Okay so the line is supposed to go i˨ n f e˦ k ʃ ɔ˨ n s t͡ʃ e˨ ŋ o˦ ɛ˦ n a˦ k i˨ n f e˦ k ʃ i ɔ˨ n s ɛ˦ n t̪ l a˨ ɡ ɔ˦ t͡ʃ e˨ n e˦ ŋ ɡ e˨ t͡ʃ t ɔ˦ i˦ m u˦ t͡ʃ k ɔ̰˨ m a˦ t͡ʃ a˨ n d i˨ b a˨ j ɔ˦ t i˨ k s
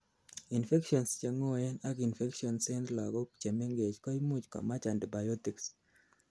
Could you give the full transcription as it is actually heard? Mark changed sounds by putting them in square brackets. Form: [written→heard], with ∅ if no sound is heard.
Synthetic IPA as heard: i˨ n f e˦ k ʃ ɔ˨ n s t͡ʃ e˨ ŋ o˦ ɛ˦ n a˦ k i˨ n f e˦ k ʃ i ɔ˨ n s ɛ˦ n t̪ l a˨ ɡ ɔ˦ t͡ʃ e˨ [n→m] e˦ ŋ ɡ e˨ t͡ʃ [t→k] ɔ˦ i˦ m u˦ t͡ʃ k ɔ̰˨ m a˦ t͡ʃ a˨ n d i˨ b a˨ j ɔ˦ t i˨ k s